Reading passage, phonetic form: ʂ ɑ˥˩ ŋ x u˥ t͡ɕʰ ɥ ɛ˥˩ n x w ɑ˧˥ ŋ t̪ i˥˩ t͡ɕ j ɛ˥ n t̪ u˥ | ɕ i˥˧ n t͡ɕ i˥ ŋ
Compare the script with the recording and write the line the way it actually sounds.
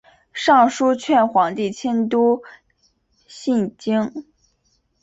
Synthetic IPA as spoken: ʂ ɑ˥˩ ŋ ʂ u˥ t͡ɕʰ ɥ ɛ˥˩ n x w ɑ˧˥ ŋ t̪ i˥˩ t͡ɕʰ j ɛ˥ n t̪ u˥ | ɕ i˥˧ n t͡ɕ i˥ ŋ